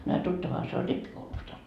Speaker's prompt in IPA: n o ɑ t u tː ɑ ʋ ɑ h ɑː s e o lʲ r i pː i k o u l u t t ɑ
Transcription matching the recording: n o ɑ t u tː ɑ ʋ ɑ h ɑ s e o lʲ r i pː i k o u l u s t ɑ